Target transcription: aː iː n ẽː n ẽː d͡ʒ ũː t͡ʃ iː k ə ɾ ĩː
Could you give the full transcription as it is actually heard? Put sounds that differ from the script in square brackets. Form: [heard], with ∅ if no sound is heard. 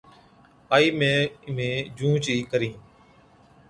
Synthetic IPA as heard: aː iː [m] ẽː [m] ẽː d͡ʒ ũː t͡ʃ iː k ə ɾ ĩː

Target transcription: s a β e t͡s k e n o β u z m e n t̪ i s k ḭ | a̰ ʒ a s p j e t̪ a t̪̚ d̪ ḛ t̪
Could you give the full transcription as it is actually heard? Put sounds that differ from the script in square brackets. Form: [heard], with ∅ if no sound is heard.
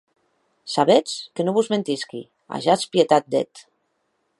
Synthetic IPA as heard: s a β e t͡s k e n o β u z m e n t̪ i s k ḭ | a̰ ʒ a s p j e t̪ a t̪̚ d̪ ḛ t̪

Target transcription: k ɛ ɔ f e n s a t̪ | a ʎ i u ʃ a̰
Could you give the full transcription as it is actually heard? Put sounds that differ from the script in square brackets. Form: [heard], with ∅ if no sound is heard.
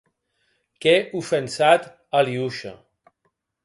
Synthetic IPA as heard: k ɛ [u] f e n s a t̪ | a [l] i u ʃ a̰

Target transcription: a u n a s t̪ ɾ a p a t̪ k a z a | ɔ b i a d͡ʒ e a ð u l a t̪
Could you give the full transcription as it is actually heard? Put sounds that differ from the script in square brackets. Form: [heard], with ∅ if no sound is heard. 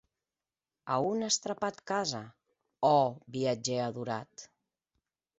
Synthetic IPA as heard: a u n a s t̪ ɾ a p a t̪ k a z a | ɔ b i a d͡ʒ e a ð u [ɾ] a t̪

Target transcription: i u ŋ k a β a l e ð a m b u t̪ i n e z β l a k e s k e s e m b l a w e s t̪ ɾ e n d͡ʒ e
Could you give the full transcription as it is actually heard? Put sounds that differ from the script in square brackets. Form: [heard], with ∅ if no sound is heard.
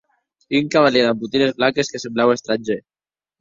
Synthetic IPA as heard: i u ŋ k a β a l e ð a m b u t̪ i n e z β l a k e s k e s e m b l a w e s t̪ ɾ [a] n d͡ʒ e

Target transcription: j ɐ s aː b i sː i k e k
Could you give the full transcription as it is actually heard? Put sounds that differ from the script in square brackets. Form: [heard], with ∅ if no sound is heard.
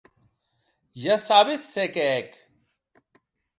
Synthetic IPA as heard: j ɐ s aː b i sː [e] k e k

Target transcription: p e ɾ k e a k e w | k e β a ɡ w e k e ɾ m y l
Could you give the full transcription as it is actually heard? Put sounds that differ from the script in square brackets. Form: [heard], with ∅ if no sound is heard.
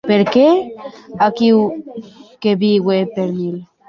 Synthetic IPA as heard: p e ɾ k e a k [i] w | k e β [i] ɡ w e [p] e ɾ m [i] l

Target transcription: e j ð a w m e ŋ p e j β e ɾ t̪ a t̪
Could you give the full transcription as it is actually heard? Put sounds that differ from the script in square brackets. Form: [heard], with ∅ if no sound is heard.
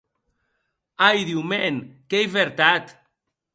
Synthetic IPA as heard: [a] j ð [i] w m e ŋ [k] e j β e ɾ t̪ a t̪

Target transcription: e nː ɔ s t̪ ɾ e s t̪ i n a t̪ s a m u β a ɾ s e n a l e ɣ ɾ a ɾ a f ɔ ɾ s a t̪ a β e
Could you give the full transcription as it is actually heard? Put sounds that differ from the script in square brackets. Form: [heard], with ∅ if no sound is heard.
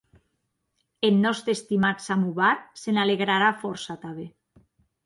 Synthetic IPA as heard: e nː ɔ s t̪ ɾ e s t̪ i [m] a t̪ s a m u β a ɾ s e n a l e ɣ ɾ a ɾ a f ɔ ɾ s a t̪ a β e

